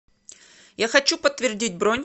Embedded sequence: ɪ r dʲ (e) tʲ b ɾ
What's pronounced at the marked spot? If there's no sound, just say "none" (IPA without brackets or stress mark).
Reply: i